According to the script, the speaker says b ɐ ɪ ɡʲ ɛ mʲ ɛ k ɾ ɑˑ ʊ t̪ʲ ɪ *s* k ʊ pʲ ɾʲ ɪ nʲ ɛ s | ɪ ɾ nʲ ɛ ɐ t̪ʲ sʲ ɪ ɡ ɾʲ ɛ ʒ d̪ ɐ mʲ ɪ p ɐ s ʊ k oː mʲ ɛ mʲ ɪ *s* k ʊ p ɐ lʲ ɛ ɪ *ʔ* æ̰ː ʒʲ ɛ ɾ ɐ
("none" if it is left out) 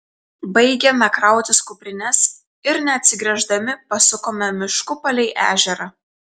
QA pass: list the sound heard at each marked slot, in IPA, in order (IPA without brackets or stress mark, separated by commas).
s, ʃ, ʔ